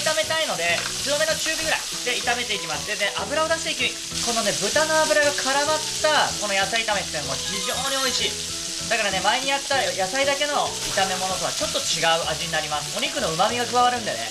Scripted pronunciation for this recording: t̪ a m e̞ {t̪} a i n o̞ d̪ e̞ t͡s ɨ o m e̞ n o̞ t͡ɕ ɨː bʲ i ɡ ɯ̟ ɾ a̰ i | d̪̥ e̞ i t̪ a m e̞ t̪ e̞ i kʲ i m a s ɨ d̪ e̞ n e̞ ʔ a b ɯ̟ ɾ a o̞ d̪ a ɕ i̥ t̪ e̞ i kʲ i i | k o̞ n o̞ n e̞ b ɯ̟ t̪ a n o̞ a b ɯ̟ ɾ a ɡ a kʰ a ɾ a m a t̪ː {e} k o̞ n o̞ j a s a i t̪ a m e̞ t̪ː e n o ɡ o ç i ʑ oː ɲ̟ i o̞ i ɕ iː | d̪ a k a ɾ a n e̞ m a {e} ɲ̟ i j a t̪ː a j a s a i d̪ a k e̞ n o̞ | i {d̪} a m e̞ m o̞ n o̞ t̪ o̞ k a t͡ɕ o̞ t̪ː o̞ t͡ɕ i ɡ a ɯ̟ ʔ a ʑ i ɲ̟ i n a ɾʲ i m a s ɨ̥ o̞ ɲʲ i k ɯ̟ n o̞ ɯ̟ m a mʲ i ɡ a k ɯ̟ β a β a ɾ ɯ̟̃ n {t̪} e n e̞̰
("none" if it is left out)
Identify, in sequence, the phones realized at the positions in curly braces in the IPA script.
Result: t̪, a, e, t̪, d̪

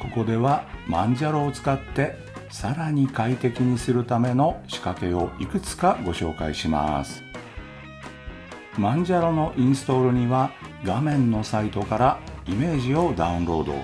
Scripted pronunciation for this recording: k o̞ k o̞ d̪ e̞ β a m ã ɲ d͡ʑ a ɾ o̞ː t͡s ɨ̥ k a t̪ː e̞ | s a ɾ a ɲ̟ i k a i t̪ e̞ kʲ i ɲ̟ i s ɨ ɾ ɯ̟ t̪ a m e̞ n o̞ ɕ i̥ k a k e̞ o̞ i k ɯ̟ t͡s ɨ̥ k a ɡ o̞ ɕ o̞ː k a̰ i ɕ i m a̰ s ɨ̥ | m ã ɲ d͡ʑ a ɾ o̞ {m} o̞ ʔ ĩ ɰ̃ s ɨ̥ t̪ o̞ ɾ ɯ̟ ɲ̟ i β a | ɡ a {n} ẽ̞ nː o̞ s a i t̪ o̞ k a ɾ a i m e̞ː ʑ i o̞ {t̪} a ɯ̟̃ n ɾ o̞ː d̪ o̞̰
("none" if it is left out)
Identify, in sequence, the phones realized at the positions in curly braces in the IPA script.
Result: n, m, d̪

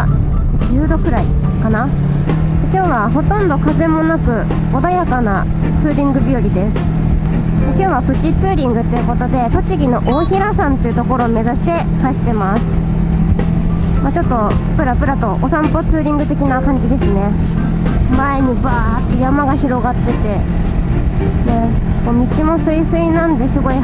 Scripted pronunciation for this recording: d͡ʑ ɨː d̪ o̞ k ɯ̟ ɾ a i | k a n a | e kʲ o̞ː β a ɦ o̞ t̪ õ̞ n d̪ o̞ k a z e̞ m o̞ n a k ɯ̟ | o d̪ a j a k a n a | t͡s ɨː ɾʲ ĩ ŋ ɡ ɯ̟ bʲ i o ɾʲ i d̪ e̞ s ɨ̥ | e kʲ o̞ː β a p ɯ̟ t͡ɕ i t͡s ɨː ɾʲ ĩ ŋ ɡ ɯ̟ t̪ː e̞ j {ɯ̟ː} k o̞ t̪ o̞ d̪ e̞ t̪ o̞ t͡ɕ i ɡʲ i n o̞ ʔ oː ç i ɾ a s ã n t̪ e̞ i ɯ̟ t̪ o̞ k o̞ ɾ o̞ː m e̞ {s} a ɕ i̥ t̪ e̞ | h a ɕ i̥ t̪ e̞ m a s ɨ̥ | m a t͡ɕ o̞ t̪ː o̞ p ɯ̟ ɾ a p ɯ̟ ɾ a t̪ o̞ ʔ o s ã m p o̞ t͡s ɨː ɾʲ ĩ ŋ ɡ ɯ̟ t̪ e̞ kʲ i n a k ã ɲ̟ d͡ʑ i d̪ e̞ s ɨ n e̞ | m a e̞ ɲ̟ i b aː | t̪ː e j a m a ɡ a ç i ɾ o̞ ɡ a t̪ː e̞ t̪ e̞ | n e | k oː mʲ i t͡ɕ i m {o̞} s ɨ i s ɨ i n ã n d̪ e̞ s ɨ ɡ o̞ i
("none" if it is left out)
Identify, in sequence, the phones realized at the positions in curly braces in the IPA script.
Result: ɯ̟, z, o̞

